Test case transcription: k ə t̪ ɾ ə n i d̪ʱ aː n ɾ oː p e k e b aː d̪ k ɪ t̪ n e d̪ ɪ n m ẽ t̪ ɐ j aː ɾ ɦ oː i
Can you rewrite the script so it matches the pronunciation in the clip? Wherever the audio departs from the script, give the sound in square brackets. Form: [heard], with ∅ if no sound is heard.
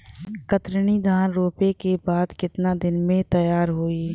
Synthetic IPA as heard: k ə t̪ ɾ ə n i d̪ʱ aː n ɾ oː p e k e b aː d̪ k ɪ t̪ n [a] d̪ ɪ n m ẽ t̪ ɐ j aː ɾ ɦ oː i